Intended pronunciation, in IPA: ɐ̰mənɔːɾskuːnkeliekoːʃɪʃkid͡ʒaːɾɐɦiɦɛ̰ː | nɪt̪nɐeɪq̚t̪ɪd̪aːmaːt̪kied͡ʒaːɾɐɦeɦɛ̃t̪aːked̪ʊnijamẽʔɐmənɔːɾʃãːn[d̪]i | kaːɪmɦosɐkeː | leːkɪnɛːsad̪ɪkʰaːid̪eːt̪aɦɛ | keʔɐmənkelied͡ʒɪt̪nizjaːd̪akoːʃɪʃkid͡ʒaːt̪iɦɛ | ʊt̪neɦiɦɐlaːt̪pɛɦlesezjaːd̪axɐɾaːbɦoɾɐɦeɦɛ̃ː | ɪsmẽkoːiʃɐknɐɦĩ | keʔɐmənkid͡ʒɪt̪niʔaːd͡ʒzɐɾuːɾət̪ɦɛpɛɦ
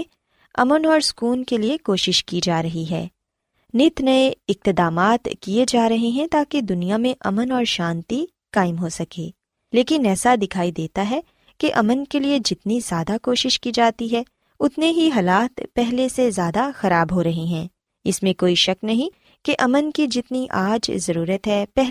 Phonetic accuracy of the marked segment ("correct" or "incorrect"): incorrect